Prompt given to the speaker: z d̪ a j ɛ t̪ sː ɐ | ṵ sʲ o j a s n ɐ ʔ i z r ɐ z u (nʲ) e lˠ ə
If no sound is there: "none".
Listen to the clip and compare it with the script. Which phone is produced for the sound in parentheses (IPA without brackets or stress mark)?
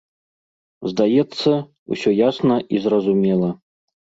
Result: mʲ